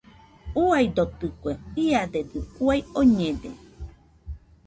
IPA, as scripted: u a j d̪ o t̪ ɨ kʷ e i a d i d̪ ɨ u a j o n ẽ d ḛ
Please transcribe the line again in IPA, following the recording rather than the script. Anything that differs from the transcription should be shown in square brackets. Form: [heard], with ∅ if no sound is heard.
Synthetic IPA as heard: u a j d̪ o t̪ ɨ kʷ e i a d [e] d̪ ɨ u a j o [ɲ] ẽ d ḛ